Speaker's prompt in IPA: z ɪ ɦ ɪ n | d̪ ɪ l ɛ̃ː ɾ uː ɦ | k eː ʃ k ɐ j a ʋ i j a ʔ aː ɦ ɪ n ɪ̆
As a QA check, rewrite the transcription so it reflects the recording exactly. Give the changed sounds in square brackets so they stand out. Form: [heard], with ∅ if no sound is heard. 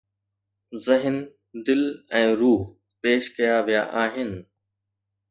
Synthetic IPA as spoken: z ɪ ɦ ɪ n | d̪ ɪ l ɛ̃ː ɾ uː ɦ | [p] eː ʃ k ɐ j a ʋ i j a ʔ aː ɦ ɪ n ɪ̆